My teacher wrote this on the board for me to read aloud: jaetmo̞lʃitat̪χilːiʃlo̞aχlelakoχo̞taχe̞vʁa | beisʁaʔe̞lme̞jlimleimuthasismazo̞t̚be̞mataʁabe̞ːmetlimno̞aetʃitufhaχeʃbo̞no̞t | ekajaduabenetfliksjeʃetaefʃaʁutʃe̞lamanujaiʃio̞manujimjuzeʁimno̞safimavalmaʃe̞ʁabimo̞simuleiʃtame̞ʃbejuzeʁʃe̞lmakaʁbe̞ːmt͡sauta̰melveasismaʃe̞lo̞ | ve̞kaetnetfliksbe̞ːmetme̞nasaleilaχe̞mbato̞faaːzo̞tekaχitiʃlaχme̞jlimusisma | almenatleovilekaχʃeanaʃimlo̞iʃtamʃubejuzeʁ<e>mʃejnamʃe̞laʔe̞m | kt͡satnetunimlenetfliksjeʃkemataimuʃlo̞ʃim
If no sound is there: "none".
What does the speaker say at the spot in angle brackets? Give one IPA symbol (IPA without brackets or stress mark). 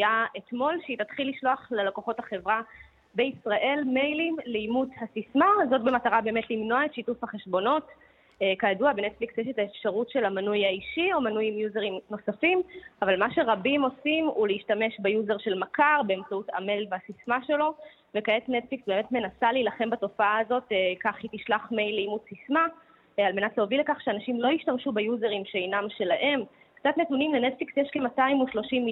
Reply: i